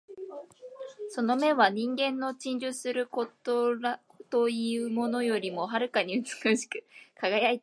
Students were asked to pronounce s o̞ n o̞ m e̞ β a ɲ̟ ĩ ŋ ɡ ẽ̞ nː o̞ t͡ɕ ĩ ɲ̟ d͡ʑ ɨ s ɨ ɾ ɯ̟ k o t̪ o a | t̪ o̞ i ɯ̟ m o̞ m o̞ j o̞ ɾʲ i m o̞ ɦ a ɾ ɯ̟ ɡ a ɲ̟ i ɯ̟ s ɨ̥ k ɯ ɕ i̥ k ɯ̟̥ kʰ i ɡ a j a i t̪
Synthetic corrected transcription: s o̞ n o̞ m e̞ β a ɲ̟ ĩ ŋ ɡ ẽ̞ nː o̞ t͡ɕ ĩ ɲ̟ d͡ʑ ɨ s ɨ ɾ ɯ̟ k o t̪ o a | t̪ o̞ i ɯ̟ m o̞ n o̞ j o̞ ɾʲ i m o̞ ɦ a ɾ ɯ̟ k a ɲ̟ i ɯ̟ t͡s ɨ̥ k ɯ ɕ i̥ k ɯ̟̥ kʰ a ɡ a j a i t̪